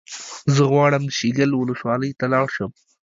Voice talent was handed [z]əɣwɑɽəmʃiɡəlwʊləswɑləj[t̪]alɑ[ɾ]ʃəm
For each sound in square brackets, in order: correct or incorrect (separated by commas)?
correct, correct, incorrect